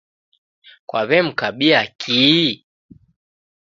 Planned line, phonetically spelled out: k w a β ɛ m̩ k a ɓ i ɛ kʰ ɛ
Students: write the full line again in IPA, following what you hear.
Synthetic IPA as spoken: k w a β ɛ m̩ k a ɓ i a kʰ i